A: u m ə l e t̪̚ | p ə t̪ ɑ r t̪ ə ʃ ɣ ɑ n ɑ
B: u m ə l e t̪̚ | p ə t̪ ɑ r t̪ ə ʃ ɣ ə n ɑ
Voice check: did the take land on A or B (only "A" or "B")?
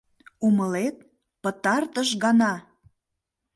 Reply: A